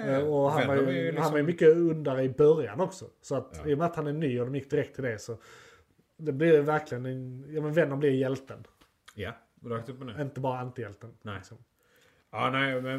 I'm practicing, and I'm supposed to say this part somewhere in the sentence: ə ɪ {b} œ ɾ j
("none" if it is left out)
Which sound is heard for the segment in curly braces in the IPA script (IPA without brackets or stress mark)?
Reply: b